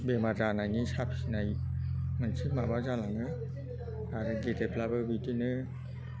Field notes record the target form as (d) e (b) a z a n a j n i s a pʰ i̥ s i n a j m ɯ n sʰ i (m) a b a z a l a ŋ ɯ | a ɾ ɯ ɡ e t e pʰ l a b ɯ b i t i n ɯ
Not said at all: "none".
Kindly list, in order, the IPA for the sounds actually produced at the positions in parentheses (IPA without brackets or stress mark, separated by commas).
b, m, m